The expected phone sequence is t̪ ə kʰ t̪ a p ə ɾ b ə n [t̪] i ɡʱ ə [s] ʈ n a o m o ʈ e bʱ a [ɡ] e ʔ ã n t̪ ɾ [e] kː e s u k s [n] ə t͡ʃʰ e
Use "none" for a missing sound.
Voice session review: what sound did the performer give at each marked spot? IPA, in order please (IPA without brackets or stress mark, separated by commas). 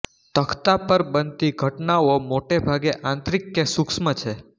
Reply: t̪, none, ɡ, i, m